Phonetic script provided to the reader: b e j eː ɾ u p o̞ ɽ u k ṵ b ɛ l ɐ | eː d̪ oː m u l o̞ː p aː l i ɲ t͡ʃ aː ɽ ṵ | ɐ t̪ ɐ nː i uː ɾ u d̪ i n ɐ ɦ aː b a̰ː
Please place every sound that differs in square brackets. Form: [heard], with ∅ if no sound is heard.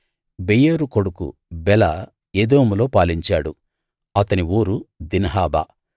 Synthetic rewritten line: b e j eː ɾ u [k] o̞ ɽ u k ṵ b ɛ l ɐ | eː d̪ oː m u l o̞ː p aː l i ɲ t͡ʃ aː ɽ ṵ | ɐ t̪ ɐ [n] i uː ɾ u d̪ i n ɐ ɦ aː b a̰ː

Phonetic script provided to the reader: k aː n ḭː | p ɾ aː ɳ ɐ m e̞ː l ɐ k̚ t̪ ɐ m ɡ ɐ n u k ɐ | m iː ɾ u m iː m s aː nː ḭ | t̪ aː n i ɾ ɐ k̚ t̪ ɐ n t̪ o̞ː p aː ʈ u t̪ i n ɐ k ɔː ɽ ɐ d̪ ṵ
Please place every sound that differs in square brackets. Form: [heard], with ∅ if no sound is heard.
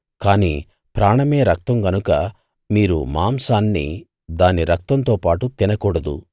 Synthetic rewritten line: k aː n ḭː | p ɾ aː ɳ ɐ m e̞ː [ɾ] ɐ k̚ t̪ ɐ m ɡ ɐ n u k ɐ | m iː ɾ u m [aː] m s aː nː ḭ | [d̪] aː n i ɾ ɐ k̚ t̪ ɐ n t̪ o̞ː p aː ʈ u t̪ i n ɐ k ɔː ɽ ɐ d̪ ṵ

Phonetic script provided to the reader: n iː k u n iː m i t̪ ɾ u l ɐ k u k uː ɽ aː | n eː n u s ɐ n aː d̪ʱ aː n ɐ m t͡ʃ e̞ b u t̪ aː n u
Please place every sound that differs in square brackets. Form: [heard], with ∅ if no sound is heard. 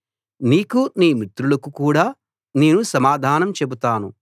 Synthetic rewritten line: n iː k u n iː m i t̪ ɾ u l ɐ k u k uː ɽ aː | n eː n u s ɐ [m] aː d̪ʱ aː n ɐ m t͡ʃ e̞ b u t̪ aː n u

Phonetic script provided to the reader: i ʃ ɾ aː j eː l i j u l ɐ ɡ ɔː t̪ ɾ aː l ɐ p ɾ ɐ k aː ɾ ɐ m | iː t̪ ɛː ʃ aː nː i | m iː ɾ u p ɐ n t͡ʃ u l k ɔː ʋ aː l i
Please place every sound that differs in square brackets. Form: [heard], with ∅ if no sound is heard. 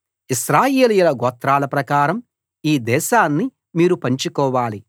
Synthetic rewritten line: i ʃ ɾ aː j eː l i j u l ɐ ɡ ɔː t̪ ɾ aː l ɐ p ɾ ɐ k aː ɾ ɐ m | iː [d̪] ɛː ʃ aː nː i | m iː ɾ u p ɐ [ɲ] t͡ʃ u [∅] k ɔː ʋ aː l i

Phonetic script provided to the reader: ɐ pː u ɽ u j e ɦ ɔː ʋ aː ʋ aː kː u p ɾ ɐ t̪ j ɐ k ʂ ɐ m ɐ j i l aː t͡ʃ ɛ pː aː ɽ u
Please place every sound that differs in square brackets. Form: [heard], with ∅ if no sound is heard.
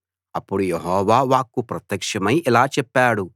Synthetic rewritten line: ɐ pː u ɽ u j e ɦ ɔː ʋ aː ʋ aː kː u p ɾ ɐ t̪ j ɐ k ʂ ɐ m ɐ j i l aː t͡ʃ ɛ pː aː ɽ u

